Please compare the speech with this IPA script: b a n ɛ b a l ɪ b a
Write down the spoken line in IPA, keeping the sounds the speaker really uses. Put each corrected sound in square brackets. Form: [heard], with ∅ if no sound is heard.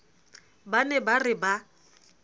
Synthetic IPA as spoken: b a n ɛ b a [r] ɪ b a